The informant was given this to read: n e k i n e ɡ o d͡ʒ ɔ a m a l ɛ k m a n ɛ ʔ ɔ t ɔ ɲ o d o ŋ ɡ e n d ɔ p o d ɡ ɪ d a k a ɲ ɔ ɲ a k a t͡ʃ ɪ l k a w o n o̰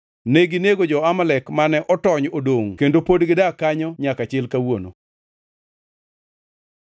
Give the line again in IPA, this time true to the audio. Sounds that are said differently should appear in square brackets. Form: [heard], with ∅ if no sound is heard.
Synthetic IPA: n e [ɡ] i n e ɡ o d͡ʒ ɔ a m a l ɛ k m a n ɛ ʔ ɔ t ɔ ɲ o d o ŋ [k] e n d [o] p o d ɡ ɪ d a k a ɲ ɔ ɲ a k a t͡ʃ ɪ l k a w o n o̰